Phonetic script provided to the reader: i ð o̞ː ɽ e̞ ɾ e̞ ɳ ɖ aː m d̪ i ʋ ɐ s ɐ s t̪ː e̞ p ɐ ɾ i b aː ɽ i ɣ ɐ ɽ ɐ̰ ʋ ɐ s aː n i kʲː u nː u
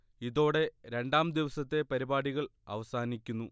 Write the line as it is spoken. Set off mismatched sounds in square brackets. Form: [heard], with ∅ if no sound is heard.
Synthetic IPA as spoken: i ð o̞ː ɽ e̞ ɾ e̞ ɳ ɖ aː m d̪ i ʋ ɐ s ɐ [∅] t̪ː e̞ p ɐ ɾ i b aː ɽ i ɣ ɐ [ɭ] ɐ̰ ʋ ɐ s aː n i kʲː u nː u